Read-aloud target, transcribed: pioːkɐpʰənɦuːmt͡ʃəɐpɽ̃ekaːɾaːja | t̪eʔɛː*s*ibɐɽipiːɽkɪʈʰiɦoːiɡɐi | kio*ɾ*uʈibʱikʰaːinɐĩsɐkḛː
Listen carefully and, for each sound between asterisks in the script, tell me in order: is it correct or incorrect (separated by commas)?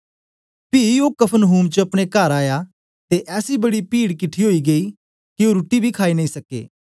correct, correct